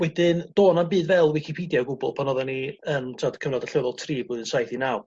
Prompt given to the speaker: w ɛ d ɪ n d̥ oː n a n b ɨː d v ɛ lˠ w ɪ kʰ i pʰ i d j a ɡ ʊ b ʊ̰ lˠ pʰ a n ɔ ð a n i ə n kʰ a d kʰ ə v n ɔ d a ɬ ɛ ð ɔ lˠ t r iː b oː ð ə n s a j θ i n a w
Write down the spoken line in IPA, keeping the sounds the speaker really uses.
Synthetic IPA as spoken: w ɛ d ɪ n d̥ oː n a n b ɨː d v ɛ lˠ w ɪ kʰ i pʰ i d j a ɡ ʊ b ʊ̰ lˠ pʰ a n ɔ ð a n i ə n tʰ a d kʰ ə v n ɔ d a ɬ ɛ ð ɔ lˠ tʰ r iː b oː ð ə n s a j θ i n a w